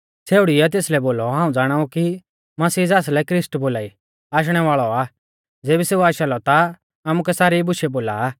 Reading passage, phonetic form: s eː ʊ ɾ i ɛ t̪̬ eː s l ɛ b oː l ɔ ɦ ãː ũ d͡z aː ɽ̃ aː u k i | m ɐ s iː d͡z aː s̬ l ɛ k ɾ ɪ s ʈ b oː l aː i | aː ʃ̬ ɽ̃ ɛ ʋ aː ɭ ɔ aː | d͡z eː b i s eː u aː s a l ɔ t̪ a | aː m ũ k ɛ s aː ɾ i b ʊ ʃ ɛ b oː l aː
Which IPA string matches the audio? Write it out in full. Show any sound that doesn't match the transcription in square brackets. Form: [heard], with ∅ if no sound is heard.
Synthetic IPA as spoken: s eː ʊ [ɽ] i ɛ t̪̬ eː s l ɛ b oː l ɔ ɦ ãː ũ d͡z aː ɽ̃ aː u k i | m ɐ s iː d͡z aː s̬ l ɛ k ɾ ɪ s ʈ b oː l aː i | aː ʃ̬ ɽ̃ ɛ ʋ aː ɭ ɔ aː | d͡z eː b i s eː u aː [ʃ] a l ɔ t̪ a | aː m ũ k ɛ s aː ɾ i b ʊ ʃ ɛ b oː l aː